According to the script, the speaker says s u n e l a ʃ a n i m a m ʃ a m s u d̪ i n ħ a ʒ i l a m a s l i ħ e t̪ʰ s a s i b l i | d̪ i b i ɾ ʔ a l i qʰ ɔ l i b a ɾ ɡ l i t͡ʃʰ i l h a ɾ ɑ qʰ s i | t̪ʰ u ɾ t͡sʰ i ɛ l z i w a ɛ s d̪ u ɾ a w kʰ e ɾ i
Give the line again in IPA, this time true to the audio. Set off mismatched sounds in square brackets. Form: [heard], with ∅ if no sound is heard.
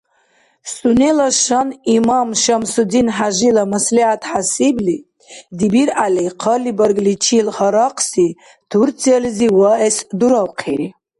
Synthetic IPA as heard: s u n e l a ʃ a n i m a m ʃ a m s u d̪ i n ħ a ʒ i l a m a s l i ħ [a] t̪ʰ [ħ] a s i b l i | d̪ i b i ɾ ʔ a l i qʰ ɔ l i b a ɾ ɡ l i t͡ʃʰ i l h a ɾ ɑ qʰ s i | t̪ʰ u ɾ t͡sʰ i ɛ l z i w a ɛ s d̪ u ɾ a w [qʰ] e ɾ i